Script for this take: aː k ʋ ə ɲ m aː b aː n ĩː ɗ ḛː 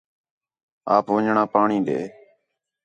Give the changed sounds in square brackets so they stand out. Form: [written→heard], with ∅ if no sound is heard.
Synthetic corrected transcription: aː [k→p] ʋ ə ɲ [m→ɳ] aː [b→p] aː [n→ɳ] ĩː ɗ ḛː